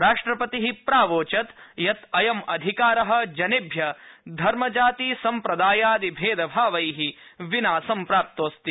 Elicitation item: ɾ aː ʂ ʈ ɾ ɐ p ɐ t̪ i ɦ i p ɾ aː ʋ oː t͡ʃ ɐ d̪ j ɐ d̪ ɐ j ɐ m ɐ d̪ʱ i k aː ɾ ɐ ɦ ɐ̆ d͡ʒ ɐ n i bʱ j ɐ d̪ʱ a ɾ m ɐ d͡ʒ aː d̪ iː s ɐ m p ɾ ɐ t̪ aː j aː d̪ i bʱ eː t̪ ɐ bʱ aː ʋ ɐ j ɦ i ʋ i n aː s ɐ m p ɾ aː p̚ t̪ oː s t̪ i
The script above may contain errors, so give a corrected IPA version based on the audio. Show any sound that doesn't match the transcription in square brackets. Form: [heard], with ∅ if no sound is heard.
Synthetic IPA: ɾ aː ʂ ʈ ɾ ɐ p ɐ t̪ i ɦ i p ɾ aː ʋ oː t͡ʃ ɐ [t̪] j ɐ [t̪] ɐ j ɐ m ɐ d̪ʱ i k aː ɾ ɐ ɦ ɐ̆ d͡ʒ ɐ n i bʱ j ɐ d̪ʱ [ɐ] ɾ m ɐ d͡ʒ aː [t̪] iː s ɐ m p ɾ ɐ [d̪] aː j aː d̪ i bʱ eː [d̪] ɐ bʱ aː ʋ ɐ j ɦ i ʋ i n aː s ɐ m p ɾ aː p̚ t̪ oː s t̪ i